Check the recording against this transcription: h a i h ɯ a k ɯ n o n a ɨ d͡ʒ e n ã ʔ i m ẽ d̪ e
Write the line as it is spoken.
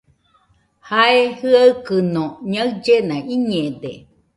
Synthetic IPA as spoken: h a e h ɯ a k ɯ n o ɲ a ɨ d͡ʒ e n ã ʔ i ɲ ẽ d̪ e